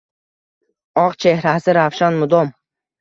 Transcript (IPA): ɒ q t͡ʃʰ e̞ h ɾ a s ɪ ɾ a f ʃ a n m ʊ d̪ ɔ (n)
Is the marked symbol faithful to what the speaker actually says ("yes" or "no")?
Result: no